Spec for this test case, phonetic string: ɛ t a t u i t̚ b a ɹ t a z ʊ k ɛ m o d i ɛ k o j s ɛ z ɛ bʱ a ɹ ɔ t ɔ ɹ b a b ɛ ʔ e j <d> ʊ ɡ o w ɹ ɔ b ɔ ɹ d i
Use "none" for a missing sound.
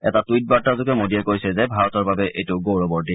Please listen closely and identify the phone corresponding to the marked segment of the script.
t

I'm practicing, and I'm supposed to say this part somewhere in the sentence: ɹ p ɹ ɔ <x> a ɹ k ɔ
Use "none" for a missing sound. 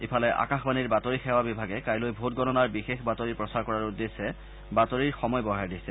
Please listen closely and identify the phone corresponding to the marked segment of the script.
s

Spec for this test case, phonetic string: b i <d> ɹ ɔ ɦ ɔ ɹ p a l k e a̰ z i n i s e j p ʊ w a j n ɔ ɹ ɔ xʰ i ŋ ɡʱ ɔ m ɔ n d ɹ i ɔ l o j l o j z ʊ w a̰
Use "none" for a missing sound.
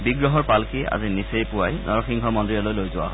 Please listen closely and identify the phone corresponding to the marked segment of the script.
ɡ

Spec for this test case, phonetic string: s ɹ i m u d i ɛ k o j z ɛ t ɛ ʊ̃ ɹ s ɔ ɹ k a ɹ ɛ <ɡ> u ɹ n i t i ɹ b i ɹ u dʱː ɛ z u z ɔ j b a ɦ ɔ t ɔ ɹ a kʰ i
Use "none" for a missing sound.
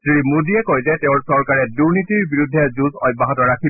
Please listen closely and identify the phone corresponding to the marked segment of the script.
d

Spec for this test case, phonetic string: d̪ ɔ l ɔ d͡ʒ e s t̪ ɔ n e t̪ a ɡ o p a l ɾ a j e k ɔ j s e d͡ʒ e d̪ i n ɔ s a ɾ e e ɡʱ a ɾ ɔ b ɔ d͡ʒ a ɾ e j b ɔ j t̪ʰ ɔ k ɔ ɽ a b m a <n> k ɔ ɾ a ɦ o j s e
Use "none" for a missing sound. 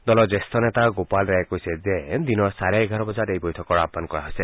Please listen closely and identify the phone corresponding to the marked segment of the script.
n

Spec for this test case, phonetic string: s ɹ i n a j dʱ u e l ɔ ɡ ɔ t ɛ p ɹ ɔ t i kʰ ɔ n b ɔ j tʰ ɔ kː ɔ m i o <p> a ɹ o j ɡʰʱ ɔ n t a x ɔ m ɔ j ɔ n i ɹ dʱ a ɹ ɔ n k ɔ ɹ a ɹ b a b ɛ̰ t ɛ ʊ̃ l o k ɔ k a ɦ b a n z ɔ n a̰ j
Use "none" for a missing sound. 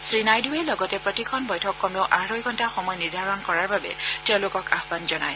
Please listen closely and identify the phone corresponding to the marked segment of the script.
ʔ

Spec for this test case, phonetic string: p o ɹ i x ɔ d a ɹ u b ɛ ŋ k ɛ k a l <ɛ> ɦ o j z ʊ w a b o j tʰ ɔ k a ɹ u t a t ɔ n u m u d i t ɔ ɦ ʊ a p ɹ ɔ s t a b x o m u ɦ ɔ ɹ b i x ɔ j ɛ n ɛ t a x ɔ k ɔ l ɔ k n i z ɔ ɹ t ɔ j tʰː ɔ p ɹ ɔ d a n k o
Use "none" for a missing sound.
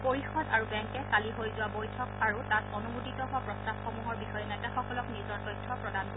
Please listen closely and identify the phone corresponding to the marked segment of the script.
i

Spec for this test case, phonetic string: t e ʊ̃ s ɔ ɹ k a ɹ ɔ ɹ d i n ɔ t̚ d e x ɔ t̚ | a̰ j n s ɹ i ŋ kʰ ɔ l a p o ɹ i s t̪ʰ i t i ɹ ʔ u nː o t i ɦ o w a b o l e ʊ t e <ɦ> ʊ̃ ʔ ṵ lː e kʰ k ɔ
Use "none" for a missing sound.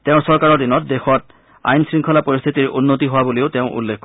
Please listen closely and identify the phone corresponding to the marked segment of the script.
none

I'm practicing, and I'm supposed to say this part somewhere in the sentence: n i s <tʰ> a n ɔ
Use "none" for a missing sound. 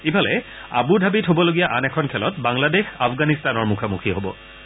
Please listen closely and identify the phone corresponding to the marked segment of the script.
t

